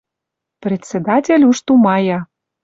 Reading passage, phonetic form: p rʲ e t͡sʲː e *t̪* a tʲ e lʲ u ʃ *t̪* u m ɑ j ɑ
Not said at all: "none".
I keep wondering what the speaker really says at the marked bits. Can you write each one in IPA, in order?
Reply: d̪, t̪

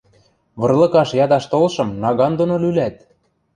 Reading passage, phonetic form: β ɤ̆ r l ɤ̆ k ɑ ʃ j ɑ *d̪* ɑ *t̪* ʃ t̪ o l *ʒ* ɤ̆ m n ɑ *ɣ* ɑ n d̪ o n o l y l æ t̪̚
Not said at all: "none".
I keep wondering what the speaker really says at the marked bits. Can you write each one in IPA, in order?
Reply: d̪, none, ʃ, ɣ

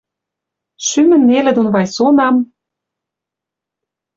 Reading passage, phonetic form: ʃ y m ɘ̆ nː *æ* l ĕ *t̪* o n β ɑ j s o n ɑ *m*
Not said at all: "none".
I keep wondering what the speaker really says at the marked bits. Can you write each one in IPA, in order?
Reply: e, d̪, m

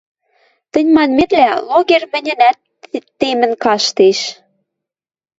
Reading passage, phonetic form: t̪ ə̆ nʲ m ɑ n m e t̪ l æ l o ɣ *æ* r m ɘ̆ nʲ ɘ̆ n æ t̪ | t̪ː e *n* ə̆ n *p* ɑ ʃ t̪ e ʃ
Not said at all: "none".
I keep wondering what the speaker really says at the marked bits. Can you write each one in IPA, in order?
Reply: e, m, k

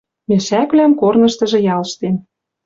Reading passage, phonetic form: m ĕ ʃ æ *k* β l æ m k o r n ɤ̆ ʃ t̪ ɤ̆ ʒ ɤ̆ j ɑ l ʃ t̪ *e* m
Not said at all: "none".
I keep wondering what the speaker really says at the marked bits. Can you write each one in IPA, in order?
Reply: k, e

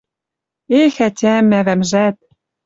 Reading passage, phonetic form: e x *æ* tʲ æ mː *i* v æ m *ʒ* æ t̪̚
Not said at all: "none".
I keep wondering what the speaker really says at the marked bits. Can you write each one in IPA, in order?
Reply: æ, æ, ʒ

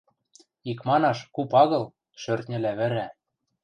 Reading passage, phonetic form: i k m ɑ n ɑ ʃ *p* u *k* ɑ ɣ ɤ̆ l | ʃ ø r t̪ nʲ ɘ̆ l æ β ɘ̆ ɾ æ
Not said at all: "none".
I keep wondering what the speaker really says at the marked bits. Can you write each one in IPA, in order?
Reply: k, p

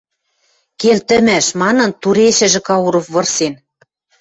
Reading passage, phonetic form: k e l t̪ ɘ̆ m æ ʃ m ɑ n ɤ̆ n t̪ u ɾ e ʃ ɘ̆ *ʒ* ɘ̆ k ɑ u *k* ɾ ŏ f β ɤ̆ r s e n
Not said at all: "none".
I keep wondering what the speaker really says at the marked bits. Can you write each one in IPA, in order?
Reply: ʒ, none

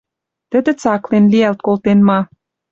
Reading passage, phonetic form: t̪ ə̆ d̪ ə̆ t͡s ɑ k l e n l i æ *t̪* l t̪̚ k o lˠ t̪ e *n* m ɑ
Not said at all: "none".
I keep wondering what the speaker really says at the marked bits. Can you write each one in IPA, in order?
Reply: none, n

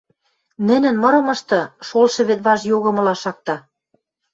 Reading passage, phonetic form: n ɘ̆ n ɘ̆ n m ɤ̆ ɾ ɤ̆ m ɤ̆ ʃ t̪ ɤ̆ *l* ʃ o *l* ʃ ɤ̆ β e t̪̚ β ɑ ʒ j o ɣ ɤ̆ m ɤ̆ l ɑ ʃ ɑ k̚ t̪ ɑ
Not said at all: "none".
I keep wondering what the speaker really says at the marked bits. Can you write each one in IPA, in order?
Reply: none, l

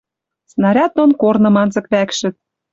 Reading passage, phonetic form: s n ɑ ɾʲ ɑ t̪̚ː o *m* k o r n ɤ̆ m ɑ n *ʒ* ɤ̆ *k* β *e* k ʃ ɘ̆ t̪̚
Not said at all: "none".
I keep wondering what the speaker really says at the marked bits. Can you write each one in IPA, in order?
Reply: n, z, k, æ

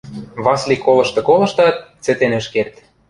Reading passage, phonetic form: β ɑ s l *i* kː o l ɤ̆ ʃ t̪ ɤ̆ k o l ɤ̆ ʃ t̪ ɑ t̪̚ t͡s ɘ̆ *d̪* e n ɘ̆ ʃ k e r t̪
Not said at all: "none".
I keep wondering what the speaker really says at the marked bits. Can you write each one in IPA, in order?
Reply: i, t̪

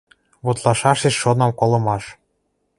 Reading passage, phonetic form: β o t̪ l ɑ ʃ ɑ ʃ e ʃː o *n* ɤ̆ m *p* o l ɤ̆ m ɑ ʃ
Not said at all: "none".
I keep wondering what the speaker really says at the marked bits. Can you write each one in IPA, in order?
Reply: n, k

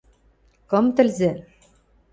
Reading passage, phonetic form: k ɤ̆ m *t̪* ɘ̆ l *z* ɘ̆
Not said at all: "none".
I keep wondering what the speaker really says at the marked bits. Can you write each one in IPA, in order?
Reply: t̪, z

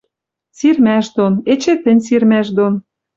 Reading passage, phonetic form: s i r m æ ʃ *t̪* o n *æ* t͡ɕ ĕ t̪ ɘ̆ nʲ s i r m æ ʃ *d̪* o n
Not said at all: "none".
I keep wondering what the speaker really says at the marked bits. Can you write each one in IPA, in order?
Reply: d̪, e, d̪

